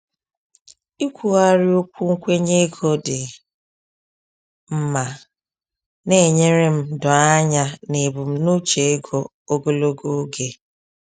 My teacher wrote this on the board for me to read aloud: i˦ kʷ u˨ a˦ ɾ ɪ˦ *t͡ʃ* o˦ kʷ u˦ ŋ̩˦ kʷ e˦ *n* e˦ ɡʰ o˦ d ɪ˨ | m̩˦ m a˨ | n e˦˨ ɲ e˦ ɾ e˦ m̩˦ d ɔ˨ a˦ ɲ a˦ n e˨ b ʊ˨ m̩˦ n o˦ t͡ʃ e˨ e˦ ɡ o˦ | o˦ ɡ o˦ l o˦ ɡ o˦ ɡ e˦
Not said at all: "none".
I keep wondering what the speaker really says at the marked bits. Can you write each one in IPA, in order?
none, ɲ

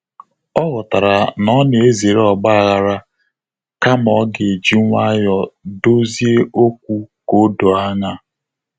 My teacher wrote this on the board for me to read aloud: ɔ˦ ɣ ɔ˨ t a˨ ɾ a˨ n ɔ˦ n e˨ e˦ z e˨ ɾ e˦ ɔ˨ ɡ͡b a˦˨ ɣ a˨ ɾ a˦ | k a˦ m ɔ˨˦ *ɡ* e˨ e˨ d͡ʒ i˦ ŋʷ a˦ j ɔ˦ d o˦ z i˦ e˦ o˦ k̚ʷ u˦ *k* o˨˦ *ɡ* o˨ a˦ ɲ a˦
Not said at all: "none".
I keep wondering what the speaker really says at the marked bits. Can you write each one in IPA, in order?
ɡ, k, d

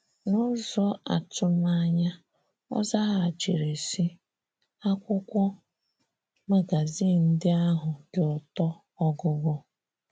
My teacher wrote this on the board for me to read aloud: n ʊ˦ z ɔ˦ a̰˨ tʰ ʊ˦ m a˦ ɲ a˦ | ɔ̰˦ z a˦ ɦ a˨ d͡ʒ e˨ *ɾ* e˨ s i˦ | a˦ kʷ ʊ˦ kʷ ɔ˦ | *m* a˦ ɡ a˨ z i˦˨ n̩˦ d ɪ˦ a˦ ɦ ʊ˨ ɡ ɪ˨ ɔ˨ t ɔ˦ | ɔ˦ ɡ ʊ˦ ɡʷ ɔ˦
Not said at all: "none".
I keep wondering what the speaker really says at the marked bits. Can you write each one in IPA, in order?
ɾ, m

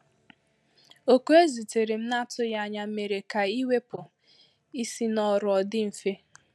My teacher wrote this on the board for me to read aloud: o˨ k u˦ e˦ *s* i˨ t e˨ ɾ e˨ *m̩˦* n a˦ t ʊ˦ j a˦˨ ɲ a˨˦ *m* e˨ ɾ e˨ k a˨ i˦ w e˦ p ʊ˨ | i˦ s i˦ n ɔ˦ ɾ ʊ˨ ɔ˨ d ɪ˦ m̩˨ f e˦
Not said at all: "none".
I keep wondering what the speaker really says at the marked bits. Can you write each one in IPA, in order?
z, m̩˦, m

